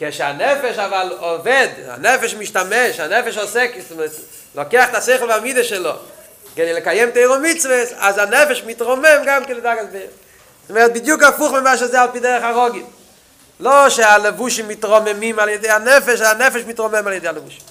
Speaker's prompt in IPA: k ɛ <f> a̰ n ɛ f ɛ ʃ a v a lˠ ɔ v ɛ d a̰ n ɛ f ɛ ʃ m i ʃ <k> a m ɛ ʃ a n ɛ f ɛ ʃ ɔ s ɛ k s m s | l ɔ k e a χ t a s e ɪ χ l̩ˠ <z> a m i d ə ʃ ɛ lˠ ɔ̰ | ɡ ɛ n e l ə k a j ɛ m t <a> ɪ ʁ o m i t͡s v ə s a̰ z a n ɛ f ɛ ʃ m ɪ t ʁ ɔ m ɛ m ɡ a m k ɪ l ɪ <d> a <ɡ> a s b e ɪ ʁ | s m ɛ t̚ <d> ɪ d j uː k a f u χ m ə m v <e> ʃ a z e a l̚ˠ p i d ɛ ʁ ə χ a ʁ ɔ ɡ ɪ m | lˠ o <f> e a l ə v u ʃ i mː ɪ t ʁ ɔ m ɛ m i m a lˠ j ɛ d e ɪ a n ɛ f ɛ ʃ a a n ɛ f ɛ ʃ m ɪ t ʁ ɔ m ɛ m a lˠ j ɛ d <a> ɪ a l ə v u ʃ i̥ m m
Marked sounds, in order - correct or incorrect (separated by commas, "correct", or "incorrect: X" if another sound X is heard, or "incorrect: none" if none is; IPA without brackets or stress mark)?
incorrect: ʃ, incorrect: t, incorrect: v, incorrect: e, correct, correct, incorrect: b, incorrect: a, incorrect: ʃ, incorrect: e